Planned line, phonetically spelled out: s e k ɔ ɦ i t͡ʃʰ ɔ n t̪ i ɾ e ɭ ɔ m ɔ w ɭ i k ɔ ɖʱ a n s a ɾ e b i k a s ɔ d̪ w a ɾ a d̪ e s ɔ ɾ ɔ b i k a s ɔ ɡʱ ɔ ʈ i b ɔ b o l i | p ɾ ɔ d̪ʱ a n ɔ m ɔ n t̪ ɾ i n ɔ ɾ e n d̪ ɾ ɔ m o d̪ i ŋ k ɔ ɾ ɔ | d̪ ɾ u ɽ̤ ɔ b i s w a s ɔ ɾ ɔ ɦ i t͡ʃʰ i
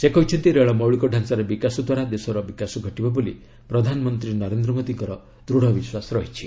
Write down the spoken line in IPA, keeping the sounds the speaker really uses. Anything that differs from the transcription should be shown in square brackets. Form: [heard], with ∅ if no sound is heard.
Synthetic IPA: s e k ɔ ɦ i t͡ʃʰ ɔ n t̪ i ɾ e ɭ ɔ m ɔ w ɭ i k ɔ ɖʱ a n s a ɾ e b i k a s ɔ d̪ w a ɾ a d̪ e s ɔ ɾ ɔ b i k a s ɔ ɡʱ ɔ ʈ i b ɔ b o l i | p ɾ ɔ d̪ʱ a n ɔ m ɔ n t̪ ɾ i n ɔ ɾ e n d̪ ɾ ɔ m o d̪ i ŋ k ɔ ɾ ɔ | d̪ ɾ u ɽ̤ ɔ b i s w a s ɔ ɾ ɔ ɦ i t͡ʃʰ i